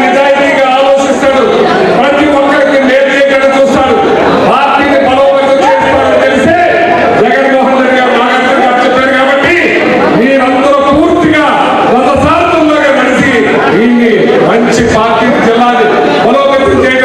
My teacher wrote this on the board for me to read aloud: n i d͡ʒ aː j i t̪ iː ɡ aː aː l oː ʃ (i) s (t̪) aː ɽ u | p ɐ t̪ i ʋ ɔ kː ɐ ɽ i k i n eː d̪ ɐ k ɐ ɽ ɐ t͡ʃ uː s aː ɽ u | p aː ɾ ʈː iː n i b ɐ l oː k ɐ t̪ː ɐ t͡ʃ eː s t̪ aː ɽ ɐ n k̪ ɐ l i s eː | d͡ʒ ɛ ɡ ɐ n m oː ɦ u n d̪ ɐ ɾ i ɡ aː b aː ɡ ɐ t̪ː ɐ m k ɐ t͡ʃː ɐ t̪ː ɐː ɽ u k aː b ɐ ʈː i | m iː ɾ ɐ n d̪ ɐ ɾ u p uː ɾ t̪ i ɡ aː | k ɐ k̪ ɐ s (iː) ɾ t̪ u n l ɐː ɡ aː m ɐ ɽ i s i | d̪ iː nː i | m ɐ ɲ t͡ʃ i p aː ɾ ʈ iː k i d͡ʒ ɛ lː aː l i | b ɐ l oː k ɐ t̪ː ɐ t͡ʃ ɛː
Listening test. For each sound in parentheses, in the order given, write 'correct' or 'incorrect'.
correct, correct, incorrect: aː

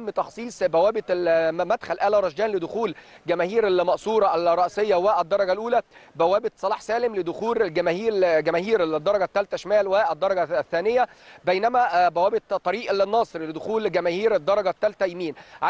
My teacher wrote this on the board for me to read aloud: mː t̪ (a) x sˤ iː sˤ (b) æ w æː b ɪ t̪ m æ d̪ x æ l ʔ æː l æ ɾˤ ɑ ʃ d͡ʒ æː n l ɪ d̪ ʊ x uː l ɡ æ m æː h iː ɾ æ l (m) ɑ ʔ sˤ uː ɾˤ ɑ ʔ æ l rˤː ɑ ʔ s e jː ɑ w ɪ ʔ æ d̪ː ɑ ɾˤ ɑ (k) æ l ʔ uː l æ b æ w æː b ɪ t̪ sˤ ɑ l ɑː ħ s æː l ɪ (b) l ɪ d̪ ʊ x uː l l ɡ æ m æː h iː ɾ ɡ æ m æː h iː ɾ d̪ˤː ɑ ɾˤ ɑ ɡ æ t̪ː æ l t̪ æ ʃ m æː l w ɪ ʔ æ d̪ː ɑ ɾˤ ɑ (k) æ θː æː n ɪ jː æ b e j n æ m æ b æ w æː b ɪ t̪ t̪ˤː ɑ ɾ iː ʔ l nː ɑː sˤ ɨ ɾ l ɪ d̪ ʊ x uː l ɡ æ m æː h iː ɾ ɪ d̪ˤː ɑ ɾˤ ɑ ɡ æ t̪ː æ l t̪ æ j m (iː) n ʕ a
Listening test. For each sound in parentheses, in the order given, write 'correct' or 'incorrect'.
incorrect: ɑ, correct, correct, incorrect: ɡ, incorrect: m, incorrect: ɡ, correct

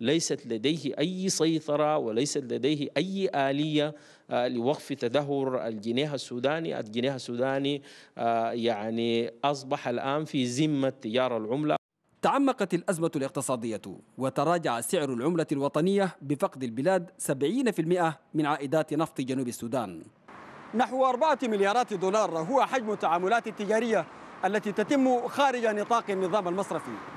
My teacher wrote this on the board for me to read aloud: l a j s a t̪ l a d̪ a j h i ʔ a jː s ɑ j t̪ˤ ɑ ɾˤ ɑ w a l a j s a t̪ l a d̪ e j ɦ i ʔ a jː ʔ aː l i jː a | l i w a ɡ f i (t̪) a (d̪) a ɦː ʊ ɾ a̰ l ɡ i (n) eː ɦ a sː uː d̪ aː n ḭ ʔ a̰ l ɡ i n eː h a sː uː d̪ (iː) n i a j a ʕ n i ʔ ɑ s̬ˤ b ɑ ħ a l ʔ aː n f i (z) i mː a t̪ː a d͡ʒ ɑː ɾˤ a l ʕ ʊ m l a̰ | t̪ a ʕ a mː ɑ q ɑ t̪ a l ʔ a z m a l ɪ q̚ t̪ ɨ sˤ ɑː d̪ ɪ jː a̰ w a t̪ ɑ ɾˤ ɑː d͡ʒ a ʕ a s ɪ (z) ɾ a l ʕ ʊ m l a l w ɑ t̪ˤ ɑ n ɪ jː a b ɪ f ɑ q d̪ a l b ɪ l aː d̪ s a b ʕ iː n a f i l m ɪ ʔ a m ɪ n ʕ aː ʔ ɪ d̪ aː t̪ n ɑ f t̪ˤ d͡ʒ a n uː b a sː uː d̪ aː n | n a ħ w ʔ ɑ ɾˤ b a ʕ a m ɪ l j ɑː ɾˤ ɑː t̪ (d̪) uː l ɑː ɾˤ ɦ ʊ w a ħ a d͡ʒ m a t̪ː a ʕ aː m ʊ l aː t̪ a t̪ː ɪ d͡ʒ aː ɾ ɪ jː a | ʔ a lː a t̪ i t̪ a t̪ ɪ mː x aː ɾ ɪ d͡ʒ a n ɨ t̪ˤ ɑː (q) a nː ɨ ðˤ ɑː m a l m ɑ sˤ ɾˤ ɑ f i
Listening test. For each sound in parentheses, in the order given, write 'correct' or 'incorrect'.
correct, correct, correct, incorrect: aː, correct, incorrect: ʕ, correct, correct

